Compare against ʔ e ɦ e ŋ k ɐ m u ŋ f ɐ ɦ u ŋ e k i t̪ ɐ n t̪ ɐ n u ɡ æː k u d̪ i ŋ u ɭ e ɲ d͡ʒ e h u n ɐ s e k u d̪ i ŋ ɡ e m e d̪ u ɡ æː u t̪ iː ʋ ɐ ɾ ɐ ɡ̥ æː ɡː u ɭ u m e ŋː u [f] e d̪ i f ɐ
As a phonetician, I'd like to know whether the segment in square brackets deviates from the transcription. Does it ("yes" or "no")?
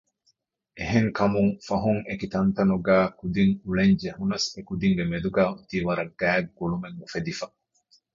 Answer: no